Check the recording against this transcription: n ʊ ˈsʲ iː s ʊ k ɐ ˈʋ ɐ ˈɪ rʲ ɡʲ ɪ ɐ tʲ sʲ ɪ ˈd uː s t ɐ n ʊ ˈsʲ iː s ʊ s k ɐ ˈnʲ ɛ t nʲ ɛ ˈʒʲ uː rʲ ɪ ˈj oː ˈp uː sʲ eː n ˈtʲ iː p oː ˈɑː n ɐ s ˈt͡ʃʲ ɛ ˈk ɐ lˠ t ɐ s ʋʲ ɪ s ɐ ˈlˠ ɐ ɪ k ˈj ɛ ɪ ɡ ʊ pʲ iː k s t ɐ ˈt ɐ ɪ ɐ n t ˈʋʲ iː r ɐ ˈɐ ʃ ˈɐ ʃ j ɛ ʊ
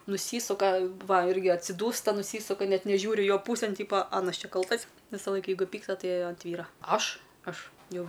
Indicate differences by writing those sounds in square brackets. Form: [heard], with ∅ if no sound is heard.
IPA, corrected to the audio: n ʊ ˈsʲ iː s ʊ k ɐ ˈʋ ɐ ˈɪ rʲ ɡʲ ɪ ɐ tʲ sʲ ɪ ˈd uː s t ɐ n ʊ ˈsʲ iː s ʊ [∅] k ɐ ˈnʲ ɛ t nʲ ɛ ˈʒʲ uː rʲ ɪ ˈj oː ˈp uː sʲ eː n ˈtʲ iː p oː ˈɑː n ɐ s ˈt͡ʃʲ ɛ ˈk ɐ lˠ t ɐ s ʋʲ ɪ s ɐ ˈlˠ ɐ ɪ k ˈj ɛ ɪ ɡ ʊ pʲ iː k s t ɐ ˈt ɐ ɪ ɐ n t ˈʋʲ iː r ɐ ˈɐ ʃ ˈɐ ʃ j ɛ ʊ